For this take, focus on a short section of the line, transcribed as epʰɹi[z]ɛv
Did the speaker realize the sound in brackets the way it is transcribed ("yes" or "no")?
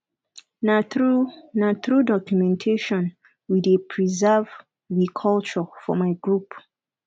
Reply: yes